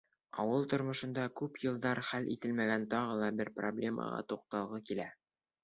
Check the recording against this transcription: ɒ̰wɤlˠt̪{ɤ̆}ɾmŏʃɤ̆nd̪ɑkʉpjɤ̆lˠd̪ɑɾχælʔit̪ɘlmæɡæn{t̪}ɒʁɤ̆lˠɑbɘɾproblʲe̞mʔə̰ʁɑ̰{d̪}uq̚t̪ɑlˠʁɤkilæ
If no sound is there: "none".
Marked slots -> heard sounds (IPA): ŏ, t̪, t̪

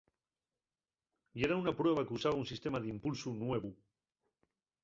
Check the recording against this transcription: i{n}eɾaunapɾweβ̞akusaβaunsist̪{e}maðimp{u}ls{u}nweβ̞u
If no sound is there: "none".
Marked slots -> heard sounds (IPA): none, e, u, u

